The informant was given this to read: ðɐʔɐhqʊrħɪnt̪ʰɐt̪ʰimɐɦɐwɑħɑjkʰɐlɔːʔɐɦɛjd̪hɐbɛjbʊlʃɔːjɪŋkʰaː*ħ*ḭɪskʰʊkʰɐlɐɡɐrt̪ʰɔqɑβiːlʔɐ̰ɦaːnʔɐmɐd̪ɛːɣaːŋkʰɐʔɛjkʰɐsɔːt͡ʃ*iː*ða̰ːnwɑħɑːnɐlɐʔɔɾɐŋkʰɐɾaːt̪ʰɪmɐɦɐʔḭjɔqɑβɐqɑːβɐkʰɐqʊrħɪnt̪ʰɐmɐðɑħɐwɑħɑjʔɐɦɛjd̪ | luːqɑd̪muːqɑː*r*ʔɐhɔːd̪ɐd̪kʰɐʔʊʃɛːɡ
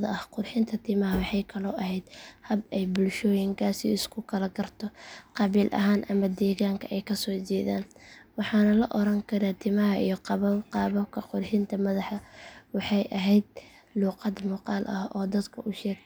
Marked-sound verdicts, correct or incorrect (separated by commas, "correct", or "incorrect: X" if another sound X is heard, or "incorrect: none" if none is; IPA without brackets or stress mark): incorrect: s, incorrect: ɛː, incorrect: l